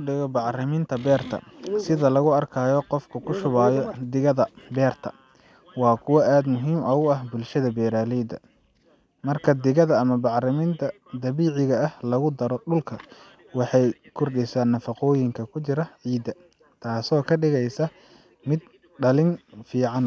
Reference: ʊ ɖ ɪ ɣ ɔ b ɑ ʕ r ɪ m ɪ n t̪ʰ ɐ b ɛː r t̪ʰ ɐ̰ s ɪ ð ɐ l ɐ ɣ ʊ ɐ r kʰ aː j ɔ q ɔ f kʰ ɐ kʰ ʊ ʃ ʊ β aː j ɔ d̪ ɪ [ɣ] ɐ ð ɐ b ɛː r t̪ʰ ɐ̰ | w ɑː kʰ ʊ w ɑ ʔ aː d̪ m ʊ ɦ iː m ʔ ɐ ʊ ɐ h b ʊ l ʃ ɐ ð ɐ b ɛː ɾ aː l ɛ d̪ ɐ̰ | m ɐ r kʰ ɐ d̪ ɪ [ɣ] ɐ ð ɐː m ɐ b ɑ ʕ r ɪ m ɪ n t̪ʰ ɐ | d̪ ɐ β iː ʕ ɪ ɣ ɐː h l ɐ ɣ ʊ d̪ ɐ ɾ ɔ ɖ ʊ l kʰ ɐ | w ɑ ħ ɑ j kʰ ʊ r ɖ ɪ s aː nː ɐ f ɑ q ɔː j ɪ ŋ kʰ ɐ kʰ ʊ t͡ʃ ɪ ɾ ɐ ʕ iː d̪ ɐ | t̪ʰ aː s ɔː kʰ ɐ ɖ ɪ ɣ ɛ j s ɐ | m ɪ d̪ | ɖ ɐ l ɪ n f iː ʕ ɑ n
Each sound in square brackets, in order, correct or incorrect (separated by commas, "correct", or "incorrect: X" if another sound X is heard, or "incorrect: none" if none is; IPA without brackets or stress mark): correct, correct